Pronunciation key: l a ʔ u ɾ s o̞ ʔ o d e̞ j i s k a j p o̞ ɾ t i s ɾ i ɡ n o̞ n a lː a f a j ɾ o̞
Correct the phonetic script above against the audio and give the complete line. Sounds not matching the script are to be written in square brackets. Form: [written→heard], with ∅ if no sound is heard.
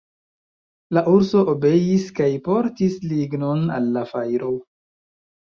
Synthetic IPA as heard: l a ʔ u ɾ s o̞ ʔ o [d→b] e̞ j i s k a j p o̞ ɾ t i s [ɾ→l] i ɡ n o̞ n a lː a f a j ɾ o̞